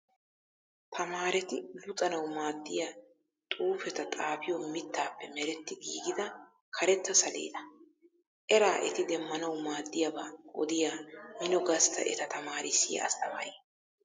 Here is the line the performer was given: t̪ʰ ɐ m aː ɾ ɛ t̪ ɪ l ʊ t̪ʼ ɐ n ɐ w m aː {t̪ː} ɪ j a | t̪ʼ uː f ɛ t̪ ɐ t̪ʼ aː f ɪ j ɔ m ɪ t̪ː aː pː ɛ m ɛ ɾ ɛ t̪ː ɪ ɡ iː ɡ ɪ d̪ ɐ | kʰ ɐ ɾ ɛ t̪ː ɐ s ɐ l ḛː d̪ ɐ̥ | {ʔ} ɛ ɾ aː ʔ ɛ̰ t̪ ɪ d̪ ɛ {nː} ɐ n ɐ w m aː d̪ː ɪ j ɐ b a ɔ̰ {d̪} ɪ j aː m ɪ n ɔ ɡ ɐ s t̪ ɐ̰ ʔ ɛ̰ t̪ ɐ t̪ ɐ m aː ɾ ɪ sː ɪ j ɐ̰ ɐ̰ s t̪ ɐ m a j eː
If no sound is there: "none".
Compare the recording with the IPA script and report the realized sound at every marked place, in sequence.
d̪ː, ʔ, mː, d̪

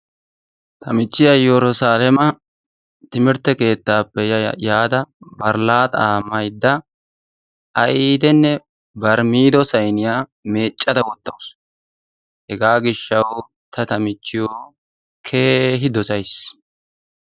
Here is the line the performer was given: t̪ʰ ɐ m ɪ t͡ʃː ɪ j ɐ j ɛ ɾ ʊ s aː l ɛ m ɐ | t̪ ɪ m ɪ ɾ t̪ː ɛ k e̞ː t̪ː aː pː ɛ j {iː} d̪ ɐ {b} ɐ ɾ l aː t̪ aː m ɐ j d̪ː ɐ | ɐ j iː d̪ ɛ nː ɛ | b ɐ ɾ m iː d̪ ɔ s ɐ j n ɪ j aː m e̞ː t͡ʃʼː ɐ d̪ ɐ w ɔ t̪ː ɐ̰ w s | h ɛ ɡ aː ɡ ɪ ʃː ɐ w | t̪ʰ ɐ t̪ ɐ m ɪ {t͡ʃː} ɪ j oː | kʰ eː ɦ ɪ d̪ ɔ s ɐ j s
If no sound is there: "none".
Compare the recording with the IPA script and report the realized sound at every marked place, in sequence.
aː, b, t͡ʃː

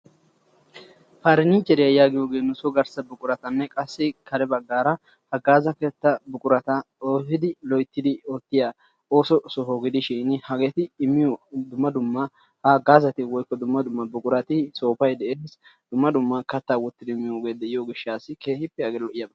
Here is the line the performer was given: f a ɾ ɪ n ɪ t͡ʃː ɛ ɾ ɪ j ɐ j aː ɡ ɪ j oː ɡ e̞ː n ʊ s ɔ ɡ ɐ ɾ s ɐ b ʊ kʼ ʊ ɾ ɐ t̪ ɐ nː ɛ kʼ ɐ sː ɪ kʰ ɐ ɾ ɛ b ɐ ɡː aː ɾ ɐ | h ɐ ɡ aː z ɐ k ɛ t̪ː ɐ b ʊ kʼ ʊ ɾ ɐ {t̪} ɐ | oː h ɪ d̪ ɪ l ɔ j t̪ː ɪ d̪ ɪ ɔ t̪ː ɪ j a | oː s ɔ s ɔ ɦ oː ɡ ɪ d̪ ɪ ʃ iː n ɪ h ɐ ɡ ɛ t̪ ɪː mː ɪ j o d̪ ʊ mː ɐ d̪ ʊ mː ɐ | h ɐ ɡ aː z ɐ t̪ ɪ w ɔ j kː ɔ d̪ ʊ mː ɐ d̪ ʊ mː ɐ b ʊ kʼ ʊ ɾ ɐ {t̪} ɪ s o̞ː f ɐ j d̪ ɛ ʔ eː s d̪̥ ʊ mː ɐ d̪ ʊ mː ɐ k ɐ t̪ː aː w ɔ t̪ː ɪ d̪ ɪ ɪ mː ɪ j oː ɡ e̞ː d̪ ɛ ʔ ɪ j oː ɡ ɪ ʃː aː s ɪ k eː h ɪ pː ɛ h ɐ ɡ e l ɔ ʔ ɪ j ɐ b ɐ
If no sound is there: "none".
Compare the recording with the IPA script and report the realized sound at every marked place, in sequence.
t̪, t̪

